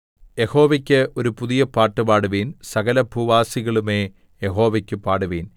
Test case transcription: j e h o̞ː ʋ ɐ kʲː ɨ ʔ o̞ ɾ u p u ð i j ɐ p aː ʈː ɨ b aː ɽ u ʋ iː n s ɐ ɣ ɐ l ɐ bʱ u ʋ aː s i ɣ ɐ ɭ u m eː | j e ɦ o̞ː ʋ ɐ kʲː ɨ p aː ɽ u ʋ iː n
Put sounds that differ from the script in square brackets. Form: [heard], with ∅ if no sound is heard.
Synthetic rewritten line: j e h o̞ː ʋ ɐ kʲː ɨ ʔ o̞ ɾ u p u ð i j ɐ p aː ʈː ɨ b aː ɽ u ʋ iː n s ɐ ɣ ɐ l ɐ bʱ u ʋ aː s i ɣ ɐ ɭ u m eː | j e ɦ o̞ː ʋ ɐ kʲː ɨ p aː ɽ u ʋ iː n

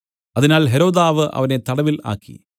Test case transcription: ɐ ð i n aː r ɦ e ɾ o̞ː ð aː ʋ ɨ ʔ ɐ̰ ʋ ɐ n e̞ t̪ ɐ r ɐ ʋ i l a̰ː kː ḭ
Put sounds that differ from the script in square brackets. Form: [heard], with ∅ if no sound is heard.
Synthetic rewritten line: ɐ ð i n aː [l] ɦ e ɾ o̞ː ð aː ʋ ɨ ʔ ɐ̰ ʋ ɐ n e̞ t̪ ɐ [ɽ] ɐ ʋ i l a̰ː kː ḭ

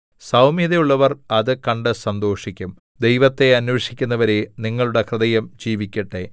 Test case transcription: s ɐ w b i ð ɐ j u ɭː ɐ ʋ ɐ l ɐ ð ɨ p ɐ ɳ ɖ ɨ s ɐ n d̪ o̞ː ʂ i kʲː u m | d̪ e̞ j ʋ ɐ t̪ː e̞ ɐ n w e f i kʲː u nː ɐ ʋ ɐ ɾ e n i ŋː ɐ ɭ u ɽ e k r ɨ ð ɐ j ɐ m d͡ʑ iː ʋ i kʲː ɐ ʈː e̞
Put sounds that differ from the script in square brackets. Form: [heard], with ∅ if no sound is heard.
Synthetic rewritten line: s ɐ w [m] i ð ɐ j u ɭː ɐ ʋ ɐ [r] ɐ ð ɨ [k] ɐ ɳ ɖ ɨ s ɐ n d̪ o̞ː ʂ i kʲː u m | d̪ e̞ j ʋ ɐ t̪ː e̞ ɐ n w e [ʂ] i kʲː u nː ɐ ʋ ɐ ɾ e n i ŋː ɐ ɭ u ɽ e k r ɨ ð ɐ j ɐ m d͡ʑ iː ʋ i kʲː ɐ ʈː e̞

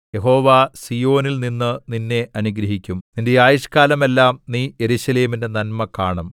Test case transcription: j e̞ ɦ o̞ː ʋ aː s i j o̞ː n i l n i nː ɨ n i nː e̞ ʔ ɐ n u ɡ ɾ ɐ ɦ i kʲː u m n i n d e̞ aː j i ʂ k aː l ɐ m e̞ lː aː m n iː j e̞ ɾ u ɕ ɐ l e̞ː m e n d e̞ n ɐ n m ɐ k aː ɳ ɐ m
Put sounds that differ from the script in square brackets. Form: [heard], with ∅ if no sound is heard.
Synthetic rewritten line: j e̞ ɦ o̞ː ʋ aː s i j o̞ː n i l n i nː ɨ n i nː e̞ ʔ ɐ n u ɡ ɾ ɐ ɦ i kʲː u m n i n d e̞ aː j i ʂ k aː l ɐ m e̞ lː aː m n iː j e̞ ɾ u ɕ ɐ l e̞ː m [i] n d e̞ n ɐ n m ɐ k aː ɳ ɐ m

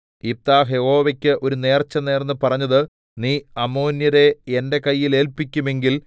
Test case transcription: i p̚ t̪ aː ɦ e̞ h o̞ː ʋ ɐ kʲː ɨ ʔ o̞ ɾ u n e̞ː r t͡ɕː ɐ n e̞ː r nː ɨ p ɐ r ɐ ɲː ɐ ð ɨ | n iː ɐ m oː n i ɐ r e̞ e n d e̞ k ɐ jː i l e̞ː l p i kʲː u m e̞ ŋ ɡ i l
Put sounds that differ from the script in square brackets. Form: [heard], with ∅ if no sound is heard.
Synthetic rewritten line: i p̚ t̪ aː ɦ e̞ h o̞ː ʋ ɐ kʲː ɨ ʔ o̞ ɾ u n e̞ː r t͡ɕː ɐ n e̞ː r nː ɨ p ɐ r ɐ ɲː ɐ ð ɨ | n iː ɐ m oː n [j] ɐ [ɾ] e̞ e n d e̞ k ɐ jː i l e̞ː l p i kʲː u m e̞ ŋ ɡ i l

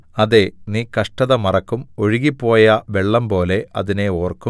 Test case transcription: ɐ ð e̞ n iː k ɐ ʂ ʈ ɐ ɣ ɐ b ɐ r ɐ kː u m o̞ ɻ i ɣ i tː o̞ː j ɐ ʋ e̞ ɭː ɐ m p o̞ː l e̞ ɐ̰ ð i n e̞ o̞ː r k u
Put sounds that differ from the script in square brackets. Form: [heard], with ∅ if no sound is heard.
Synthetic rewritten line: ɐ ð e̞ n iː k ɐ ʂ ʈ ɐ [ð] ɐ [m] ɐ r ɐ kː u m o̞ ɻ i ɣ i [pː] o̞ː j ɐ ʋ e̞ ɭː ɐ m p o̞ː l e̞ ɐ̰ ð i n e̞ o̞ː r k u

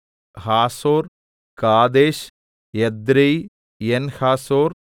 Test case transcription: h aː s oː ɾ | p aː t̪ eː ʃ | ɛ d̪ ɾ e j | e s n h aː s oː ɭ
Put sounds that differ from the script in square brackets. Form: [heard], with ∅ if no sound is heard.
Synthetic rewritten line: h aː s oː ɾ | [k] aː [d̪] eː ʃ | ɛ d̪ ɾ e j | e [∅] n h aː s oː [ɾ]

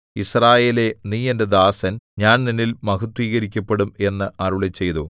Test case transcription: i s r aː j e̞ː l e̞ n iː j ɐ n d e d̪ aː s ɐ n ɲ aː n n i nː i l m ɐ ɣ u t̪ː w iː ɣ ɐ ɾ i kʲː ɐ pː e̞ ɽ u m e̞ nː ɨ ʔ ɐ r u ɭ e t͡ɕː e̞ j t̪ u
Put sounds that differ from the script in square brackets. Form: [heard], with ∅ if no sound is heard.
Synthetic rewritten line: i s r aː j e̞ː l e̞ n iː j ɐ n d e d̪ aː s ɐ n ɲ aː n n i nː i l m ɐ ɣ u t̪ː w iː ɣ ɐ ɾ i kʲː ɐ pː e̞ ɽ u m e̞ nː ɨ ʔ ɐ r u ɭ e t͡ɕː e̞ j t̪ u

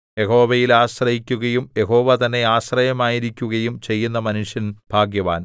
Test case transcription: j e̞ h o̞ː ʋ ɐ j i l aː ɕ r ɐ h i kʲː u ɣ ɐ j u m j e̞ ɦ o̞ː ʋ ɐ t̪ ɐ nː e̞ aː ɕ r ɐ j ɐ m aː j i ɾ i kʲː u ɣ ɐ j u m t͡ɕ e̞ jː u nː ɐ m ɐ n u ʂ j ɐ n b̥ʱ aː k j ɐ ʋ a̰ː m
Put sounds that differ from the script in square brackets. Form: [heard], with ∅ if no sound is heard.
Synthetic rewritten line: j e̞ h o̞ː ʋ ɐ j i l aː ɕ r ɐ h i kʲː u ɣ ɐ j u m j e̞ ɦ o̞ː ʋ ɐ t̪ ɐ nː e̞ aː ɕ r ɐ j ɐ m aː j i ɾ i kʲː u ɣ ɐ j u m t͡ɕ e̞ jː u nː ɐ m ɐ n u ʂ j ɐ n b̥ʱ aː [ɡ] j ɐ ʋ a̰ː [n]

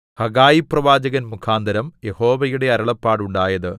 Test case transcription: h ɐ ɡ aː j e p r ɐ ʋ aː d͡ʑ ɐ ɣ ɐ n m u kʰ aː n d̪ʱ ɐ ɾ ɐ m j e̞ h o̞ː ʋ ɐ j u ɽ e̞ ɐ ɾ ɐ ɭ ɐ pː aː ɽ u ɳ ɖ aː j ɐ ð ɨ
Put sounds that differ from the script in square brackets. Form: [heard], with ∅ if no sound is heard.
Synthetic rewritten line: h ɐ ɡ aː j [i] p r ɐ ʋ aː d͡ʑ ɐ ɣ ɐ n m u kʰ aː n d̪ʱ ɐ ɾ ɐ m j e̞ h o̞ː ʋ ɐ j u ɽ e̞ ɐ ɾ ɐ ɭ ɐ pː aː ɽ u ɳ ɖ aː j ɐ ð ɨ

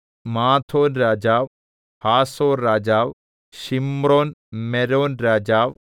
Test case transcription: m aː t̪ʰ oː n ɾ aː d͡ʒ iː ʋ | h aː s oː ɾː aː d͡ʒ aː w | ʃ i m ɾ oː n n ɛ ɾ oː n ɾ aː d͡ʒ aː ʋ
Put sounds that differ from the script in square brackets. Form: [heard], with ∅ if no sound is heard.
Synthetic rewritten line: m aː t̪ʰ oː n ɾ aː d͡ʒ [aː] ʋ | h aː s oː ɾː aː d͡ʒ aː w | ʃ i m ɾ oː n [m] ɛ ɾ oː n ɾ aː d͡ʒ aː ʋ

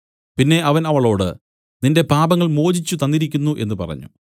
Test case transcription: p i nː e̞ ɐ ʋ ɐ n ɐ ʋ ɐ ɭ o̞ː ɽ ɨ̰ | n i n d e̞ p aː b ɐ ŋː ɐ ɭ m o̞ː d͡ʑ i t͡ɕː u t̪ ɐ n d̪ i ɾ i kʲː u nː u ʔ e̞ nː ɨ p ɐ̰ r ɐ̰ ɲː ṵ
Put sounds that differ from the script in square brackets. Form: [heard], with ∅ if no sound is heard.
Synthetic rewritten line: p i nː e̞ ɐ ʋ ɐ n ɐ ʋ ɐ ɭ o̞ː ɽ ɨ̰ | n i n d e̞ p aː b ɐ ŋː ɐ ɭ m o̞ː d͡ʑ i t͡ɕː u t̪ ɐ n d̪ i ɾ i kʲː u nː u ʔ e̞ nː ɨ p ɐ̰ r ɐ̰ ɲː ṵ

